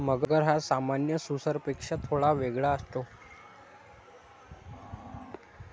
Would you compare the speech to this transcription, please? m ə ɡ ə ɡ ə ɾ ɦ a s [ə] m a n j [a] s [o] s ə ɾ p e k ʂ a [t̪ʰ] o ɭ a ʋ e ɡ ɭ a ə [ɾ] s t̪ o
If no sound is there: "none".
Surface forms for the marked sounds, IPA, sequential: a, ə, u, t̪ʰ, none

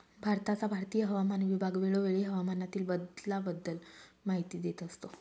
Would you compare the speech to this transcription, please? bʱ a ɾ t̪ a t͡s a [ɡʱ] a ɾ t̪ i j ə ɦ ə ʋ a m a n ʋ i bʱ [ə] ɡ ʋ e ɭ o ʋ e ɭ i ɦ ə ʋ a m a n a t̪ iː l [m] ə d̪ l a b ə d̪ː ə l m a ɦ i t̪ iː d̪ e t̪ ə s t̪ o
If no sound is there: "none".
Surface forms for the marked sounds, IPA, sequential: bʱ, a, b

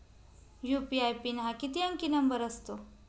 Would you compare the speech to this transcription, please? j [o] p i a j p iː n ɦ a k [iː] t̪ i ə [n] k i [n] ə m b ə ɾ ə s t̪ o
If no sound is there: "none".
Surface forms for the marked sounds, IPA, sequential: u, i, ŋ, n

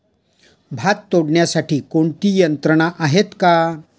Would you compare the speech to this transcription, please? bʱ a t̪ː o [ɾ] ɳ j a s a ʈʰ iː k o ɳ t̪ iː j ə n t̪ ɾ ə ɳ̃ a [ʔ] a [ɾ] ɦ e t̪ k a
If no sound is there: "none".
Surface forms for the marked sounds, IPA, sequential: ɽ, ʔ, none

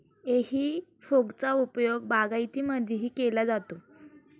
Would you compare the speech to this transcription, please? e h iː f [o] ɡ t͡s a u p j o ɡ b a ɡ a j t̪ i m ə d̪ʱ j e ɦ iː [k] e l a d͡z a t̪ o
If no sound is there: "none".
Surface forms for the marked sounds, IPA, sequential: o, k

